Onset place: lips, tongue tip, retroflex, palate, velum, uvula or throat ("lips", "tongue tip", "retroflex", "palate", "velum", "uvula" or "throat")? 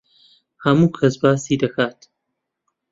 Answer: throat